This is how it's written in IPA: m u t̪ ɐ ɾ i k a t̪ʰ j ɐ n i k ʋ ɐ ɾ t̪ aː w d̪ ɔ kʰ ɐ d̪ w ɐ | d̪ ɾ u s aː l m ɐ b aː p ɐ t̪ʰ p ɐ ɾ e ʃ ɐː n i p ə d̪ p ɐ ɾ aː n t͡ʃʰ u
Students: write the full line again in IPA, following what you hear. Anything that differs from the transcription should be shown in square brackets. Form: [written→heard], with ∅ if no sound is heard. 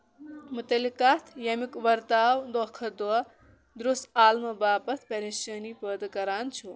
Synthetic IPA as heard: m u t̪ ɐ [ɾ→l] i k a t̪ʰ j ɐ [n→m] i k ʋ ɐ ɾ t̪ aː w d̪ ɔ kʰ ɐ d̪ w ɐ | d̪ ɾ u s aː l m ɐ b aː p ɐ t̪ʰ p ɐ ɾ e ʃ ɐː n i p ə d̪ [p→k] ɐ ɾ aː n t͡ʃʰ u

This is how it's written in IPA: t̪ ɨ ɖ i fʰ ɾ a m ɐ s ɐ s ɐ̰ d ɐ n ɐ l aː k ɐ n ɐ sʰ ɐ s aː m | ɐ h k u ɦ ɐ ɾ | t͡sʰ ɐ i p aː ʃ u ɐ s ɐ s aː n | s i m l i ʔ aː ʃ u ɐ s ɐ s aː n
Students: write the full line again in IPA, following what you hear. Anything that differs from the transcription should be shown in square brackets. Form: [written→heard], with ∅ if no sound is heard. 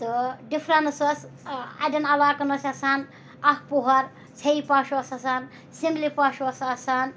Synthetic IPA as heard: t̪ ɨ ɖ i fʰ ɾ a [m→n] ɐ s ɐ s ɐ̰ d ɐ n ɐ l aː k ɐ n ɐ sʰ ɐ s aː [m→n] | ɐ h [k→p] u ɦ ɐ ɾ | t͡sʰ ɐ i p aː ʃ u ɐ s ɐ s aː n | s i m l i [ʔ→p] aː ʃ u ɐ s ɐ s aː n

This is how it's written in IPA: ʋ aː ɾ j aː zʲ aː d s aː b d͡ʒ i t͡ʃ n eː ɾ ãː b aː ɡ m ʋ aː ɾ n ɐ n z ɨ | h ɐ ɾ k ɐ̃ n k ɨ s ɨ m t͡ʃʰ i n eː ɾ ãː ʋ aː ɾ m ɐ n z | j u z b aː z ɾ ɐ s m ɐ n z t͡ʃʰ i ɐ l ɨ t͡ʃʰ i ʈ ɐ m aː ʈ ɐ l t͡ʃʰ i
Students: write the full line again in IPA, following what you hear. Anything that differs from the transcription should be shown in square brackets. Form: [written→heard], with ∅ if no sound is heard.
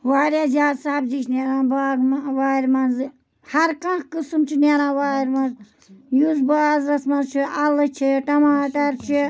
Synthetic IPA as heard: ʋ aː ɾ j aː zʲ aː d s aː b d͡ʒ i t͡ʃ n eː ɾ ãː b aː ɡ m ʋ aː ɾ [n→m] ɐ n z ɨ | h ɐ ɾ k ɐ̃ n k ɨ s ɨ m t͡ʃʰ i n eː ɾ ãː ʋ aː ɾ m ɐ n z | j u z b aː z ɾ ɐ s m ɐ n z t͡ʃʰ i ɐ l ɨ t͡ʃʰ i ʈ ɐ m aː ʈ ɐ [l→ɾ] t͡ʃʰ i

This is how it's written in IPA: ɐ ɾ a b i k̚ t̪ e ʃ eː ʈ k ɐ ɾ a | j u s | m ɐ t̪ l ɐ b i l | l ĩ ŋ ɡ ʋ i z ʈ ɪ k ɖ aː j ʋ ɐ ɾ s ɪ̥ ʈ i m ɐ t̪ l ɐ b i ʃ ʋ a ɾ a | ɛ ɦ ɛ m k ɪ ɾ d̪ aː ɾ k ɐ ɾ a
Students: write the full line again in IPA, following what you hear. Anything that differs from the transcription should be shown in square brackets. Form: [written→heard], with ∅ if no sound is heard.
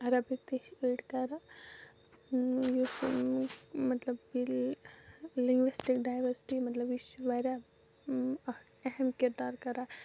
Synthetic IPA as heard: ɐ ɾ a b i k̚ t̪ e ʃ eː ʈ k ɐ ɾ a | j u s | m ɐ t̪ l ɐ b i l | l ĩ ŋ ɡ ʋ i [z→s] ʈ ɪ k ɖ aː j ʋ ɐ ɾ s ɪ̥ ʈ i m ɐ t̪ l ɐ b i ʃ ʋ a ɾ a | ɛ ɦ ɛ m k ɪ ɾ d̪ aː ɾ k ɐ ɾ a

